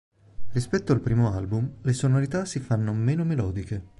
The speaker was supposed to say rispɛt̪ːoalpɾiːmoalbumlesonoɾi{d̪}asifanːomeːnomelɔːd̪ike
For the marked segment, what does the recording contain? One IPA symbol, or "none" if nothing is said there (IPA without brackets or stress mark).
t̪